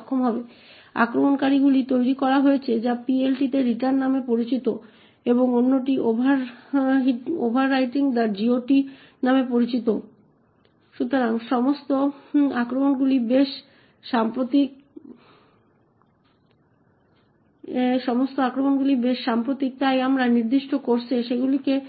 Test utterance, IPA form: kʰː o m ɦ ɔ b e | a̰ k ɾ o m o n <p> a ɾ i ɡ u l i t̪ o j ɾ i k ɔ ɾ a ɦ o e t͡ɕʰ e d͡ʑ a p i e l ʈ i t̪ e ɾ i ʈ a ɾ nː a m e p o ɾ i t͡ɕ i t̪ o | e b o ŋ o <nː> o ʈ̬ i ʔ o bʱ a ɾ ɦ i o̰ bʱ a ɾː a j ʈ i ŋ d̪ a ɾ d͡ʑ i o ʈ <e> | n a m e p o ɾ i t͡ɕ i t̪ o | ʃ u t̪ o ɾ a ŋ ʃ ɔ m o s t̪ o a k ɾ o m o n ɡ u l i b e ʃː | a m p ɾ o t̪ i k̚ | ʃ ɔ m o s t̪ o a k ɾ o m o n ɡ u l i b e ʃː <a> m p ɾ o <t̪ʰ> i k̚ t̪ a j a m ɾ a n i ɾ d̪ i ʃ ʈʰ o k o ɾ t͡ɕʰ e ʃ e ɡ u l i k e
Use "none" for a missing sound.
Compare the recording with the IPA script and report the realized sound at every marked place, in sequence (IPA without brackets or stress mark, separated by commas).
k, nː, i, a, t̪